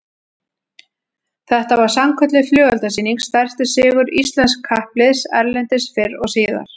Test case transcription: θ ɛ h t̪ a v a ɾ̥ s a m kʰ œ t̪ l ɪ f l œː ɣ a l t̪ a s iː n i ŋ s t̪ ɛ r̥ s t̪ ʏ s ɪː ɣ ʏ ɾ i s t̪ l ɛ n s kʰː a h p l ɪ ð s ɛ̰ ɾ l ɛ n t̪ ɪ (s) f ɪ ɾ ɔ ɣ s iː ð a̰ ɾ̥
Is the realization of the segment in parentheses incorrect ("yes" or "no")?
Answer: no